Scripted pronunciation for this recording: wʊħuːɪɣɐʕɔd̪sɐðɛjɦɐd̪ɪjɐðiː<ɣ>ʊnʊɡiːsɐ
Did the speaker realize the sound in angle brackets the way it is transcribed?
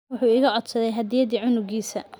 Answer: no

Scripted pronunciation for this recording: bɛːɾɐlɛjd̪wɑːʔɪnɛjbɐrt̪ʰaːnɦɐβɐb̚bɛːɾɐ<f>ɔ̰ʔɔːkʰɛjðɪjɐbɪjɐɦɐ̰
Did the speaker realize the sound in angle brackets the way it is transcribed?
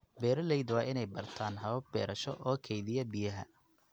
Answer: no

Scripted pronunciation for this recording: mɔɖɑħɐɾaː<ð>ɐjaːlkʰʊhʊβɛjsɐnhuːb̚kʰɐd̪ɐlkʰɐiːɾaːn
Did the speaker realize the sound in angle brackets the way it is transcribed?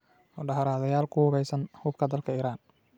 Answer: yes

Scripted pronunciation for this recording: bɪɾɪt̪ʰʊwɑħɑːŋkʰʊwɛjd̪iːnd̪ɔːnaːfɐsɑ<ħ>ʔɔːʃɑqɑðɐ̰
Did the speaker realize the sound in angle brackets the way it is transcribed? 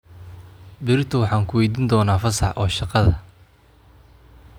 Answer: yes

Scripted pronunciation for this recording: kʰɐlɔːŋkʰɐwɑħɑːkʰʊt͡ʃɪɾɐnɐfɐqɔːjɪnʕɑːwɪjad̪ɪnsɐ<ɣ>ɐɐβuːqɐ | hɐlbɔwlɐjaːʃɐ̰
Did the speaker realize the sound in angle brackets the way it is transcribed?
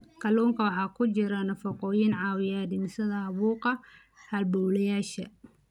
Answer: no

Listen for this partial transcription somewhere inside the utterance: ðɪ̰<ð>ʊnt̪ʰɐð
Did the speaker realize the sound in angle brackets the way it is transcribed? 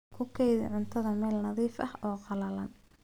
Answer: no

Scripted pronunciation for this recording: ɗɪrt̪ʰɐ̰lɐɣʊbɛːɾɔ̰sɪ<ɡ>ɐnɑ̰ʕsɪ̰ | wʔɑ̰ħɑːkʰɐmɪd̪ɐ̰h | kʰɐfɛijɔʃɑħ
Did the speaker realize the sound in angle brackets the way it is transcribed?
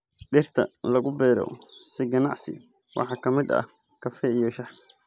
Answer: yes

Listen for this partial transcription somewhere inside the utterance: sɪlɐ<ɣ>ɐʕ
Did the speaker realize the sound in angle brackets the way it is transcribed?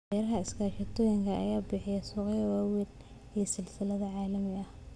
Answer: no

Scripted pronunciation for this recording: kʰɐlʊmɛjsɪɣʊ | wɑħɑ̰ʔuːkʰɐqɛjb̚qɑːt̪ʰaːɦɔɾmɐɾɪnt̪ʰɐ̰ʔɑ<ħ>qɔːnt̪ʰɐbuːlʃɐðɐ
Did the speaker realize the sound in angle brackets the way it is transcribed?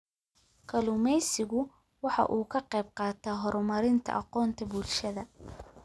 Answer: no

